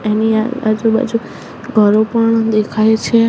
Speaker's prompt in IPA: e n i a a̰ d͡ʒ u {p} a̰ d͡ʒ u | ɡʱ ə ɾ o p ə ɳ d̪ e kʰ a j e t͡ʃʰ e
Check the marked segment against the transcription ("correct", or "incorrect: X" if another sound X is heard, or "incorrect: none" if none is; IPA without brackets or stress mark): incorrect: b